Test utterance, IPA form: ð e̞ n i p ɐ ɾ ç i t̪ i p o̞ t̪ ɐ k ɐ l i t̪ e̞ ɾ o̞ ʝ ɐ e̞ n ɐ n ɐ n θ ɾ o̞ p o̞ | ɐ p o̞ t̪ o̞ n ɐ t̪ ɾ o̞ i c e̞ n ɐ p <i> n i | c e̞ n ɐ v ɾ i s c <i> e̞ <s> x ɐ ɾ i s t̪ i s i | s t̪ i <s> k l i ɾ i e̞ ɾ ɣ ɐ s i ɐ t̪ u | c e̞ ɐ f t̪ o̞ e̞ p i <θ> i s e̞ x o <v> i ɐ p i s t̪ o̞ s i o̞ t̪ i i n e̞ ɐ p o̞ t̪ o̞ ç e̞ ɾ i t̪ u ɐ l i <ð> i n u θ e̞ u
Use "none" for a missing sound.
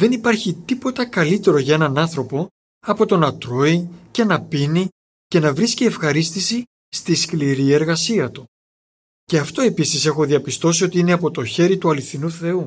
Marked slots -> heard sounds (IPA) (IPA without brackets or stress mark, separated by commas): i, i, f, s, s, ð, θ